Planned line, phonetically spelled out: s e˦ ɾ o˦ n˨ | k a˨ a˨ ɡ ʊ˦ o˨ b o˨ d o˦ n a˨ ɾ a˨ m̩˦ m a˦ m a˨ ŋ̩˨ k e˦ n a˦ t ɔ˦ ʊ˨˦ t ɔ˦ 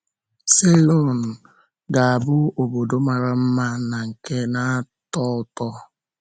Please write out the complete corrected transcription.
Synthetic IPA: s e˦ l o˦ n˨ | ɡ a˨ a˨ b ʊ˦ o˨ b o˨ d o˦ m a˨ ɾ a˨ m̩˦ m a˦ n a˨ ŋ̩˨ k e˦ n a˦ t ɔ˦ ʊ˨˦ t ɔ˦